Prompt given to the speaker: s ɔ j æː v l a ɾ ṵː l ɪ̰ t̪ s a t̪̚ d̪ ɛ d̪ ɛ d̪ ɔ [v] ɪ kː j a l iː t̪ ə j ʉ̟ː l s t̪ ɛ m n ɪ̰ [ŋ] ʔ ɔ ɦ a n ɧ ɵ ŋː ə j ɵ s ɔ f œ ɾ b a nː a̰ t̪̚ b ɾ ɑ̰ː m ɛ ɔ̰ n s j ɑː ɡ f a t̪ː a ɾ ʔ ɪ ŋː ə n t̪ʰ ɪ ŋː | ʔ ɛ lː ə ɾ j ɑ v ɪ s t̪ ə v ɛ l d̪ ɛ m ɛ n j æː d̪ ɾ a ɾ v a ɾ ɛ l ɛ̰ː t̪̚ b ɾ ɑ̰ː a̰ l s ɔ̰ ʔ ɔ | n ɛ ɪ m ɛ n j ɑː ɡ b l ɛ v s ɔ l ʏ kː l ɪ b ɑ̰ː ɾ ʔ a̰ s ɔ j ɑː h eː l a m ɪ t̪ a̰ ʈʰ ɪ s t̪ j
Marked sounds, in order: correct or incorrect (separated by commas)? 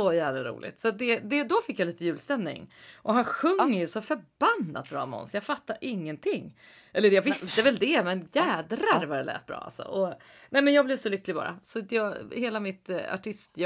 incorrect, correct